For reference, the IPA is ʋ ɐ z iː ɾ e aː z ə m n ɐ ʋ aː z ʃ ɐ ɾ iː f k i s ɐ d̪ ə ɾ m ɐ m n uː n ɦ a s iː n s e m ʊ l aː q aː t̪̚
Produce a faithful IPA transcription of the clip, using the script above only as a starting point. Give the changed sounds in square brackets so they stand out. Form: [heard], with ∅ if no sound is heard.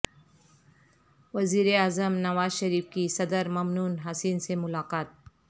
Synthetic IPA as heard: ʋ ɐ z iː ɾ e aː z ə m n ɐ ʋ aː z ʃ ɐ ɾ iː f k i s ɐ d̪ ə ɾ m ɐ m n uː n ɦ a s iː n s e m ʊ l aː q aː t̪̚